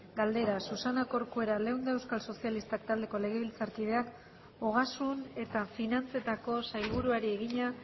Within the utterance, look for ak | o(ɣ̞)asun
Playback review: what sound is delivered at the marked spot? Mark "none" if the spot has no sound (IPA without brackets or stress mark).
ɣ̞